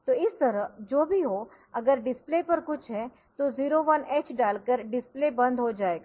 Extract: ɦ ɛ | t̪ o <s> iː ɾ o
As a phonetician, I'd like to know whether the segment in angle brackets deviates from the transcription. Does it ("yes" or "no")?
yes